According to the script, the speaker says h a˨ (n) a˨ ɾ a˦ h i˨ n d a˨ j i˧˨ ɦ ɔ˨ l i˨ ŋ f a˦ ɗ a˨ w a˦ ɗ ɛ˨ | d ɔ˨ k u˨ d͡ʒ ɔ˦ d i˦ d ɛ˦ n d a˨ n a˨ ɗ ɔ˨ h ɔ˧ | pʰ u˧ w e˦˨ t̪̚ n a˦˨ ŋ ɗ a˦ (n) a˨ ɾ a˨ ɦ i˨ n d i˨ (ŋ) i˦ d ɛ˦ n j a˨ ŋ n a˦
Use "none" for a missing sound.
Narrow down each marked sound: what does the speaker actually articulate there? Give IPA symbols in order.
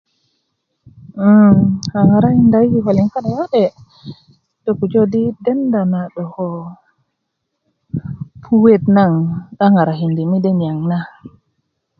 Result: ŋ, ŋ, m

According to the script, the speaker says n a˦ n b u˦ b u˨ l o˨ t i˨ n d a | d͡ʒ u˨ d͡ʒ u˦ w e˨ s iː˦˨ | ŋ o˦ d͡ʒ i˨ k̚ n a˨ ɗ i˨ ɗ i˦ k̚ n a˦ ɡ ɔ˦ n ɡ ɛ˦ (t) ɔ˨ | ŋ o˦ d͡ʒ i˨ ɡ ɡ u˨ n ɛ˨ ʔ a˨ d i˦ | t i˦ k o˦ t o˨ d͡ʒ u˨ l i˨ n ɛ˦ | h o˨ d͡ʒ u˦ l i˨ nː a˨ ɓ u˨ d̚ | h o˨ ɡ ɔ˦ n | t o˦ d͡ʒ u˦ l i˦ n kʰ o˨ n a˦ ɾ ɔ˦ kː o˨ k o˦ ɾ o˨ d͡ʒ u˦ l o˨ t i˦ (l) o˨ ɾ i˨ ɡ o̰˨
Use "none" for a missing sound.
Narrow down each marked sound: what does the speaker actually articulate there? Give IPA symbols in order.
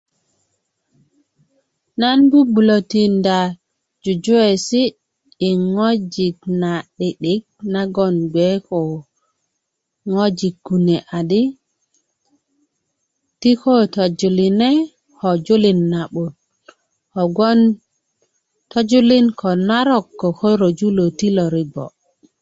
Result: k, l

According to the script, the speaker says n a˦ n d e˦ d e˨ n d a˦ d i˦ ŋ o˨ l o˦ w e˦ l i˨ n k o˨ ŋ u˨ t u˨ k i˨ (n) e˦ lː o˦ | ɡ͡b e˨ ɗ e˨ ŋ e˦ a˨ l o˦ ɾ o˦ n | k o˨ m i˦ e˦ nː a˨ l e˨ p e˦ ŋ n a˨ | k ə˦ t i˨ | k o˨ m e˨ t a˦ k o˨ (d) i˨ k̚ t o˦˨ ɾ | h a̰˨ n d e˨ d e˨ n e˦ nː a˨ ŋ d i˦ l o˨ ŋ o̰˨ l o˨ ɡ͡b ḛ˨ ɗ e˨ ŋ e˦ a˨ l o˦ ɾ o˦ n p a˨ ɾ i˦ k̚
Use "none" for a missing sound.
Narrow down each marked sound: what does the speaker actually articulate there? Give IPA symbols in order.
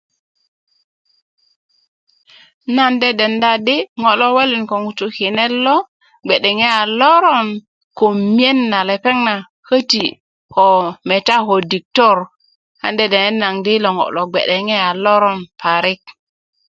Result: n, d

